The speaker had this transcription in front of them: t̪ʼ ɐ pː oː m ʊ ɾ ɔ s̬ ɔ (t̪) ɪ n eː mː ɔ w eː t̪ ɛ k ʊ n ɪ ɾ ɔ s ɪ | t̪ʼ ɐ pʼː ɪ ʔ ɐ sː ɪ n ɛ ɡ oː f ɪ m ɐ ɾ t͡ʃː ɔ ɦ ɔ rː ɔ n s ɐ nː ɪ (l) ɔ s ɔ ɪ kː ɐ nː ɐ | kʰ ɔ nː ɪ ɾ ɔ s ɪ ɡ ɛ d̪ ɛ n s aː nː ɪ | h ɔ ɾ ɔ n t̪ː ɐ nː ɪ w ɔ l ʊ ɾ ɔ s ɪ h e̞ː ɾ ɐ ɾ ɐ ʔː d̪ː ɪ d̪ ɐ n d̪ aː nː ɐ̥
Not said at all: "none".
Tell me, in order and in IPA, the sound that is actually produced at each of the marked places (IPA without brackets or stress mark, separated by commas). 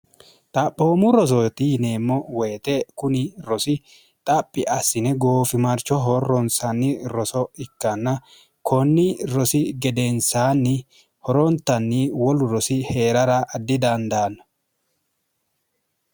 t̪, ɾ